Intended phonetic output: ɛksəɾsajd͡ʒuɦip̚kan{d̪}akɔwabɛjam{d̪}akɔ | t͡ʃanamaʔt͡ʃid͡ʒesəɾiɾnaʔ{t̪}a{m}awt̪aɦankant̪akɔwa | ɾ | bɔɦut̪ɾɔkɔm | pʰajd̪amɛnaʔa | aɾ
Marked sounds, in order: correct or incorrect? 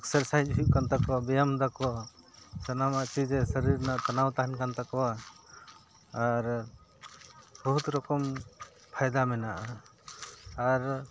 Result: incorrect, correct, correct, incorrect

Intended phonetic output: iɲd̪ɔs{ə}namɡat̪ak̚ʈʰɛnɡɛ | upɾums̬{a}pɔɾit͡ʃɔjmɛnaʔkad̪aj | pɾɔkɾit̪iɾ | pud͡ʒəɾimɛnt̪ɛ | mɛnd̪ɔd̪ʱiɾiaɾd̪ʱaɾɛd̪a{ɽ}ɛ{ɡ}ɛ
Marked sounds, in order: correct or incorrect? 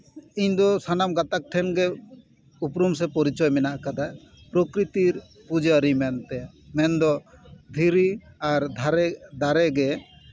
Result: incorrect, incorrect, incorrect, correct

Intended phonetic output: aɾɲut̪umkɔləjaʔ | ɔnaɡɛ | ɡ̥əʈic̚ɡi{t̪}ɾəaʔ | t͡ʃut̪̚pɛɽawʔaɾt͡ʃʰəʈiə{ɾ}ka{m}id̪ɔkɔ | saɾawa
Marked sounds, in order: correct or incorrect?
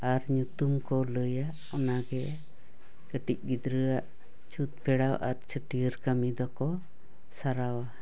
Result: incorrect, correct, correct

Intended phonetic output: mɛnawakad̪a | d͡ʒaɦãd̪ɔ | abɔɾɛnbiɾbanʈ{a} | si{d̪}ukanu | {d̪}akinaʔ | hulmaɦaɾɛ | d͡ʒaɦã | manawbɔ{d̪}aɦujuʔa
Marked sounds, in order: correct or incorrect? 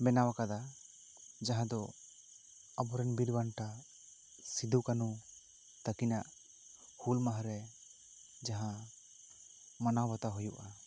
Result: correct, correct, incorrect, incorrect

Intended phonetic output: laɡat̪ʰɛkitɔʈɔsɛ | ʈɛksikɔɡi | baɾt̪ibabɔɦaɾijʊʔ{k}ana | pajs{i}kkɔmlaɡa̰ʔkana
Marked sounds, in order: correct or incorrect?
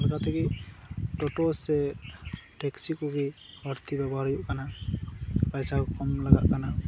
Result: correct, incorrect

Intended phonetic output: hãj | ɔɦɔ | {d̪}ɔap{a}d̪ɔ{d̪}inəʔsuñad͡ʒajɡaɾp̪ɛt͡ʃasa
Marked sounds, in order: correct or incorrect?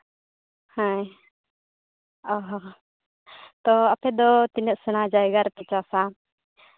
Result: incorrect, incorrect, incorrect

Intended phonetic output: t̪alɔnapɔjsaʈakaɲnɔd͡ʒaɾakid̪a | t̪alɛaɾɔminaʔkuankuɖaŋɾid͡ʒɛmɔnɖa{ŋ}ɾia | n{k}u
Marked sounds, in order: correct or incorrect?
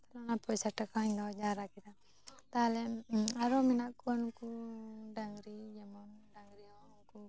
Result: correct, correct

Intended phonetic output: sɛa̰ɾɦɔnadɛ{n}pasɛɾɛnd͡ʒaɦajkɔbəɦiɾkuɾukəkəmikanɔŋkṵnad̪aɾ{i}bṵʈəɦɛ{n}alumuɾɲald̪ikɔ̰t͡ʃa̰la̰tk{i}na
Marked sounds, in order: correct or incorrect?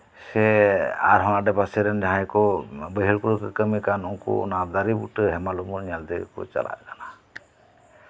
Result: incorrect, correct, incorrect, incorrect

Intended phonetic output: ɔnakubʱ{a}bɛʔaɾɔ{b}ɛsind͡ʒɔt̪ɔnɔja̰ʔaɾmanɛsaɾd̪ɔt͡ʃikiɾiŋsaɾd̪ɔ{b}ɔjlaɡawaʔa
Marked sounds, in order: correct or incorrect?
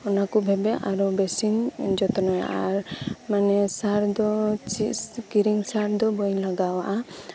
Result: incorrect, correct, correct

